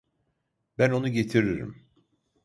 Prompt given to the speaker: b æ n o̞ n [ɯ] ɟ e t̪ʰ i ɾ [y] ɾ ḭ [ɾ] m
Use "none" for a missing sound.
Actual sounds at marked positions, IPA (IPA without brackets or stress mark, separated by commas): u, i, none